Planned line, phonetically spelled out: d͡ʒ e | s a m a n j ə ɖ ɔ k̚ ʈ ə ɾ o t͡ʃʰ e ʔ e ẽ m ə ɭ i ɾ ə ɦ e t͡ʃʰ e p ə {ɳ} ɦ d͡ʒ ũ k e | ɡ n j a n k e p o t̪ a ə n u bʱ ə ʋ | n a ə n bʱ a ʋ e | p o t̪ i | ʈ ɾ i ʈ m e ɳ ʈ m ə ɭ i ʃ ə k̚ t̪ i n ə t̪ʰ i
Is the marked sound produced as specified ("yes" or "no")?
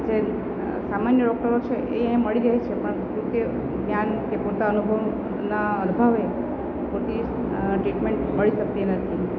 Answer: yes